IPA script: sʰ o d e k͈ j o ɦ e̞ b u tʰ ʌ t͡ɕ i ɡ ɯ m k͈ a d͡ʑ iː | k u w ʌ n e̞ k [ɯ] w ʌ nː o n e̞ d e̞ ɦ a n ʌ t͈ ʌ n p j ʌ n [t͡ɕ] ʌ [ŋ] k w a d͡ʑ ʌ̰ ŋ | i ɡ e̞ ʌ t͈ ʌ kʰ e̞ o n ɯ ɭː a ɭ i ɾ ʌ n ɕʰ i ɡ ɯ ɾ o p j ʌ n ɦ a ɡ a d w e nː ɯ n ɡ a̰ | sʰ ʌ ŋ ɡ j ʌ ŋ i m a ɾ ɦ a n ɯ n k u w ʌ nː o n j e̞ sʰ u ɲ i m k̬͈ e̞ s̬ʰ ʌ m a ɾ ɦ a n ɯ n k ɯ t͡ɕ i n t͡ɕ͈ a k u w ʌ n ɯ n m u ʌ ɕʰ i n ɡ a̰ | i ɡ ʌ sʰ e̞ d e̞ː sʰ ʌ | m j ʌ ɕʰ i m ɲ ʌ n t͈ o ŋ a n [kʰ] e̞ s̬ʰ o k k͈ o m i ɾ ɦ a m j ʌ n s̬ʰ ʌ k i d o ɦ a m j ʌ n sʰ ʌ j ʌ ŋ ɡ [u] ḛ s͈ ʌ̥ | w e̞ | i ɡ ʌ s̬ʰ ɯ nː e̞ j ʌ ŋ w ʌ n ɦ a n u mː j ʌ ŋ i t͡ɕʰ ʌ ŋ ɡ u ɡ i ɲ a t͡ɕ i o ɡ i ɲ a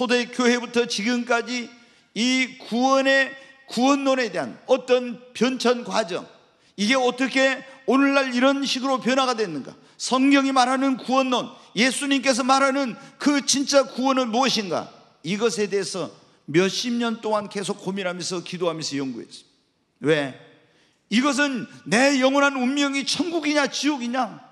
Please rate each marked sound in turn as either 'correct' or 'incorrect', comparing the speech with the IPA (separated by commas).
incorrect, incorrect, incorrect, incorrect, correct